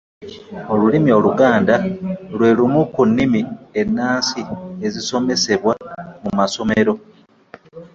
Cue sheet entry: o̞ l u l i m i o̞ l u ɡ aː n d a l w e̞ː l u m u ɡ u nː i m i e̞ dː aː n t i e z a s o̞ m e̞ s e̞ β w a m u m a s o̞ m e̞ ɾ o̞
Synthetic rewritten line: o̞ l u l i m i o̞ l u ɡ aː n d a l w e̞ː l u m u k u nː i m i e̞ nː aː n s i e z i s o̞ m e̞ s e̞ β w a m u m a s o̞ m e̞ ɾ o̞